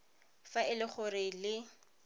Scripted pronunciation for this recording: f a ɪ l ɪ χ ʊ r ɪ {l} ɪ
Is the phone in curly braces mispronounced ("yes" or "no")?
no